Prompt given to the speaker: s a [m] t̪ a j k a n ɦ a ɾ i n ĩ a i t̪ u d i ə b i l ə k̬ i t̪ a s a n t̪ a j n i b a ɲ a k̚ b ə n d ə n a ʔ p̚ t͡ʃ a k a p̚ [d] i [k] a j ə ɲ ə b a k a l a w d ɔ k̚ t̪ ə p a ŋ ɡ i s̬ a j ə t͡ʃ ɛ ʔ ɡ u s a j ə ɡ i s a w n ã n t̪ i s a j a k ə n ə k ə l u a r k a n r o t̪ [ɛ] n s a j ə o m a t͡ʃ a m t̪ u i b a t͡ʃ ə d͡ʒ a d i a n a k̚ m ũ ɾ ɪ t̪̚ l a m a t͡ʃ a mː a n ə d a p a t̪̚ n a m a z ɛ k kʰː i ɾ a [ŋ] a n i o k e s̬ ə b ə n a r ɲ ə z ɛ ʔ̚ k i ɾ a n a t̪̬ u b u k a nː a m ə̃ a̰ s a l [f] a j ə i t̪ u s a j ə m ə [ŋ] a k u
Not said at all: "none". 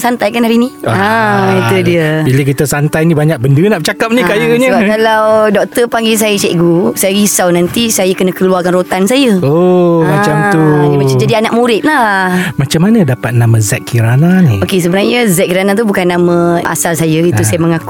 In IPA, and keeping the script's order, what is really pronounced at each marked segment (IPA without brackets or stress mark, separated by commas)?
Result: n, n, k, a, n, s, ŋ